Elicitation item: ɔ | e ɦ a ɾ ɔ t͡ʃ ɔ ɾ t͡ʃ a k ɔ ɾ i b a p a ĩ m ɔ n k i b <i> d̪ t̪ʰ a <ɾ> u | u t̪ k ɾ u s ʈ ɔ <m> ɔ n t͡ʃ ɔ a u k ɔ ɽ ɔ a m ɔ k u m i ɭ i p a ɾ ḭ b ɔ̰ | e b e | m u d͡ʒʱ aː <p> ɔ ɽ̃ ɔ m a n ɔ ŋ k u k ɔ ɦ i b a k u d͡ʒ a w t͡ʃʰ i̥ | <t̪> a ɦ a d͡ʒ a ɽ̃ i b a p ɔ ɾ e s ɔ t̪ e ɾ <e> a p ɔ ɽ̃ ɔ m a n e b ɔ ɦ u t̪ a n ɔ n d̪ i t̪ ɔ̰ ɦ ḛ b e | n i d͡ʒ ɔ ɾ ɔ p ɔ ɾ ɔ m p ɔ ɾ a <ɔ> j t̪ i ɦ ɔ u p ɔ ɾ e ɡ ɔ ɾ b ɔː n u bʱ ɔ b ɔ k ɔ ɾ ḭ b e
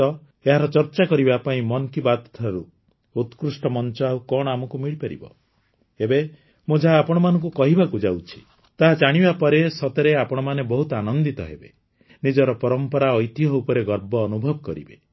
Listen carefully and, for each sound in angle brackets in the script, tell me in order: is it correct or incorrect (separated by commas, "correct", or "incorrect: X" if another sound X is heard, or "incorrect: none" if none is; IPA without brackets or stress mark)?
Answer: incorrect: a, correct, correct, correct, correct, correct, correct